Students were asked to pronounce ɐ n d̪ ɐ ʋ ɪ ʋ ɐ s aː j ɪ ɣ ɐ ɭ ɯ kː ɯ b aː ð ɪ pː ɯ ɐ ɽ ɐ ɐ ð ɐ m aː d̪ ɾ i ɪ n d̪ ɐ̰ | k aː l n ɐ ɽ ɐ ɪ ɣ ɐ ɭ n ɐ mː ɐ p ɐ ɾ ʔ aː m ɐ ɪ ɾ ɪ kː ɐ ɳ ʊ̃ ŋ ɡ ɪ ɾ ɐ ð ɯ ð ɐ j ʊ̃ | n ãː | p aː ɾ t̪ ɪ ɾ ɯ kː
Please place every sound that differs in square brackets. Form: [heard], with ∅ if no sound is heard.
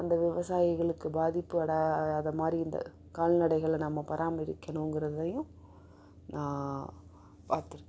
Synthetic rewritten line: ɐ n d̪ ɐ ʋ ɪ ʋ ɐ s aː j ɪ ɣ ɐ ɭ ɯ kː ɯ b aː ð ɪ pː ɯ ɐ ɽ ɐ ɐ ð ɐ m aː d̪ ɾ i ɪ n d̪ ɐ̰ | k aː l n ɐ ɽ ɐ ɪ ɣ ɐ ɭ n ɐ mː ɐ p ɐ ɾ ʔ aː m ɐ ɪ ɾ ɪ kː ɐ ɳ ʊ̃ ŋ ɡ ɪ ɾ ɐ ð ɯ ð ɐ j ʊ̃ | n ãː | p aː ɾ t̪ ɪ ɾ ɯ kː